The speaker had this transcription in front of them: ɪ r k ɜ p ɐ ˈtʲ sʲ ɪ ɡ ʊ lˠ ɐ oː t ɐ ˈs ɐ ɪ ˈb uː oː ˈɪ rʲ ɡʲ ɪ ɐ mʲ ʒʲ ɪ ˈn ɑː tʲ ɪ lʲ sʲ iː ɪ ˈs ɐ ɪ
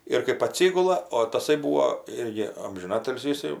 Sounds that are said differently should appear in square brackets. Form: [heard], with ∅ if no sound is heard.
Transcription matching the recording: ɪ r k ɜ p ɐ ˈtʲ sʲ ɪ ɡ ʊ lˠ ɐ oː t ɐ ˈs ɐ ɪ ˈb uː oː ˈɪ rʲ ɡʲ ɪ ɐ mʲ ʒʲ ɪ ˈn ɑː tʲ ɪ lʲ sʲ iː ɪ ˈs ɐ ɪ